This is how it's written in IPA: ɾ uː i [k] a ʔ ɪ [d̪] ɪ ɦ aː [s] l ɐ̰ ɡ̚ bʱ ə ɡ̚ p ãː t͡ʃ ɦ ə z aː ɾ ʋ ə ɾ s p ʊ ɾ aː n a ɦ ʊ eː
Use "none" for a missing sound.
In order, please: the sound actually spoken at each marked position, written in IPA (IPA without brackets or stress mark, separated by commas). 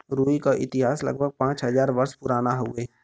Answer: k, t̪, s